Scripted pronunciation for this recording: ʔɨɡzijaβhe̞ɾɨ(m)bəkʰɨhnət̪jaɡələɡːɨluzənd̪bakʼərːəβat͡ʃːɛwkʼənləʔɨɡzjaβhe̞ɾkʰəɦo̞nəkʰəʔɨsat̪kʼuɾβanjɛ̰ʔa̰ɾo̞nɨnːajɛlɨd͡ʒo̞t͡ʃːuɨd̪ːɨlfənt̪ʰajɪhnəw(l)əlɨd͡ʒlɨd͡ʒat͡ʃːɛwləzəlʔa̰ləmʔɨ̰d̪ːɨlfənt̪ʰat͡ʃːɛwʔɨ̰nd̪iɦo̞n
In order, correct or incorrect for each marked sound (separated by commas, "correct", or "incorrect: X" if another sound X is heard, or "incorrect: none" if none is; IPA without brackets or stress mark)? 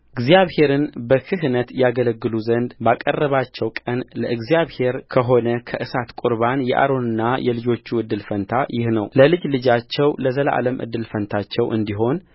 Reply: incorrect: n, correct